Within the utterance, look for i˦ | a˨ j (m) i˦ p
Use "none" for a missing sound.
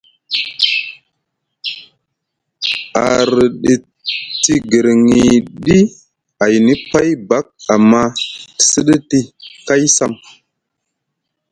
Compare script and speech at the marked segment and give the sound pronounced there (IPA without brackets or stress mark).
n